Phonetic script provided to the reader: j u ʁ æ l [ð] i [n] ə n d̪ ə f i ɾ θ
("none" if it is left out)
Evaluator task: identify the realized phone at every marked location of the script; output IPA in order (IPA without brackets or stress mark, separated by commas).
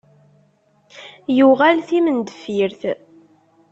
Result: θ, m